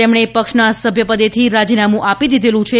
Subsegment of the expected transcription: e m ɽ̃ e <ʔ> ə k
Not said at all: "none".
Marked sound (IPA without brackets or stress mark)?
p